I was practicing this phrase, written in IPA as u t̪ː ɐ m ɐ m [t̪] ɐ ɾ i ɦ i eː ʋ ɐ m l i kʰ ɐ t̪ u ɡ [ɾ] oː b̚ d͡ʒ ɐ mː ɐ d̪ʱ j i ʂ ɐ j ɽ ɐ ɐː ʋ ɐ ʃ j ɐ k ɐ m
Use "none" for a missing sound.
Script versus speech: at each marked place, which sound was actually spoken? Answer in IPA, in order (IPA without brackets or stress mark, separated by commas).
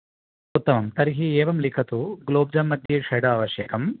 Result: t̪, l